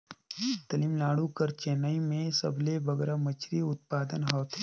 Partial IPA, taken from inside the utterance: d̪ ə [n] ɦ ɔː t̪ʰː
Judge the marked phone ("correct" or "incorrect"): correct